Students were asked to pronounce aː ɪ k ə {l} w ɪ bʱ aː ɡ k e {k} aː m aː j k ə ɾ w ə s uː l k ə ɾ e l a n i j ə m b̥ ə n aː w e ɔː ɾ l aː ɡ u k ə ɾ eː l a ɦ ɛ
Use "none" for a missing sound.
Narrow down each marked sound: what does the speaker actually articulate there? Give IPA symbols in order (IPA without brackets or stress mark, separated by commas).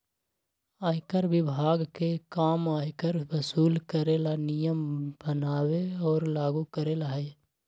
ɾ, k